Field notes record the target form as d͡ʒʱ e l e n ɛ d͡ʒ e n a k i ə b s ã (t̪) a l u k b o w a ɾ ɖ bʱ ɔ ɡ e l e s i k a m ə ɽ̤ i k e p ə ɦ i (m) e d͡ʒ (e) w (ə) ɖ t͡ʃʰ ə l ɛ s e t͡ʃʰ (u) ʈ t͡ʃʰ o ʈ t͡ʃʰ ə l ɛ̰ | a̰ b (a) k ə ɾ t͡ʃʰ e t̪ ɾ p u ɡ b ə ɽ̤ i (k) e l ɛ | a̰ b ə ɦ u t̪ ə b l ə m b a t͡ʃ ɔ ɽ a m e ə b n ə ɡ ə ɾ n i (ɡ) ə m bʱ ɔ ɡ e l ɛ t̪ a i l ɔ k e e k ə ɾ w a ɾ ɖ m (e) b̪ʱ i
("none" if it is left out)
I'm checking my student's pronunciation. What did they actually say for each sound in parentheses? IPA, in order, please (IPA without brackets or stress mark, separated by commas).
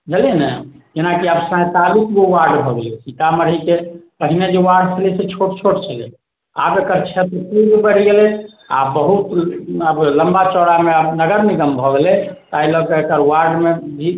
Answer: t̪, n, e, a, o, e, ɡ, ɡ, e